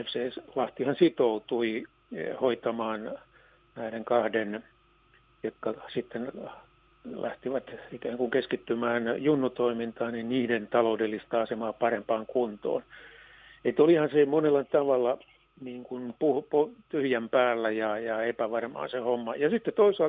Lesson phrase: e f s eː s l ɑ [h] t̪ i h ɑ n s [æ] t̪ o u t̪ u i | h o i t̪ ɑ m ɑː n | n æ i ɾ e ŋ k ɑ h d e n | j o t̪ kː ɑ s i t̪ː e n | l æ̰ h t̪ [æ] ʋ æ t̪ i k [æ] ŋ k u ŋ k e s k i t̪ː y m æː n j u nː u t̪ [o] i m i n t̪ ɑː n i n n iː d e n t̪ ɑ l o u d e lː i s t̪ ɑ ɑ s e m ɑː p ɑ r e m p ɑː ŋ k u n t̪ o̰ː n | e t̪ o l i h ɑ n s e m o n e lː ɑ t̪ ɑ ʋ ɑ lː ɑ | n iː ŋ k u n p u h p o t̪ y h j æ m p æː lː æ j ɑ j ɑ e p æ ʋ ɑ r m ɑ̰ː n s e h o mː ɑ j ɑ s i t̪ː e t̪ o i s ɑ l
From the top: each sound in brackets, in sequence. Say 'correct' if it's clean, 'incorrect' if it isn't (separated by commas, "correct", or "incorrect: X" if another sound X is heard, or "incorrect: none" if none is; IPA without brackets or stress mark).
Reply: correct, incorrect: i, incorrect: i, incorrect: æː, correct